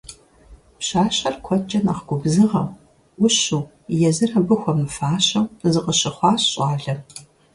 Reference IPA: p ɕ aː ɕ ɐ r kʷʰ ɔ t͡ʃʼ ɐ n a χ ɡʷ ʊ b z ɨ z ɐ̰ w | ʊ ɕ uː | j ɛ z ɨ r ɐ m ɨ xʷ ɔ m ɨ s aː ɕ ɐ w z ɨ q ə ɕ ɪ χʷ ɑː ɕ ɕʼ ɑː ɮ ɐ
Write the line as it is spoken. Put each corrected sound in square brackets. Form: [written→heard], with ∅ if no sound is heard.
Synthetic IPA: p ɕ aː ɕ ɐ r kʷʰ ɔ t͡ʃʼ ɐ n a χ ɡʷ ʊ b z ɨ [z→ʁ] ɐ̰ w | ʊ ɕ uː | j ɛ z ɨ r ɐ [m→b] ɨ xʷ ɔ m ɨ [s→f] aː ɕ ɐ w z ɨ q ə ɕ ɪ χʷ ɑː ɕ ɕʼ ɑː ɮ ɐ